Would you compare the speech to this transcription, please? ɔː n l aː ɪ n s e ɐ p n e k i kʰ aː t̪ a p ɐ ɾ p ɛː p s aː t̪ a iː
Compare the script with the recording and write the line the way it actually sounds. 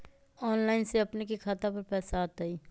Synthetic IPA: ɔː n l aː ɪ n s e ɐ p n e k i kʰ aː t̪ a p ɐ ɾ p ɛː s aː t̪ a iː